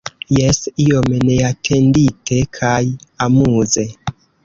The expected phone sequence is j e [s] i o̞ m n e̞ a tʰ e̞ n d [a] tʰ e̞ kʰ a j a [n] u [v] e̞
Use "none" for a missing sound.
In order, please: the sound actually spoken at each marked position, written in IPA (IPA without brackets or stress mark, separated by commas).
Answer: s, i, m, z